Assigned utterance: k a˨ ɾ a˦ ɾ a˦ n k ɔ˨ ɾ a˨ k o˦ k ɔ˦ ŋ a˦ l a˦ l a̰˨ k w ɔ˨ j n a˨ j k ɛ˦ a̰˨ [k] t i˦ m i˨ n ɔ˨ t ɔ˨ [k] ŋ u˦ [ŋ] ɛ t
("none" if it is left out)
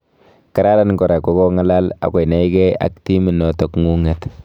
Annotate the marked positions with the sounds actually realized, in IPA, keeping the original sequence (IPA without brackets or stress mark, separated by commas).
k, k, ŋ